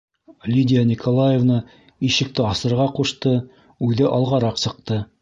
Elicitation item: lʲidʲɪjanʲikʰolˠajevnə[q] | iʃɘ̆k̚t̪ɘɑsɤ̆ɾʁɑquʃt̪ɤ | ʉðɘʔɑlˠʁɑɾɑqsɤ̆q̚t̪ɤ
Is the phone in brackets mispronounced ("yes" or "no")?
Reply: yes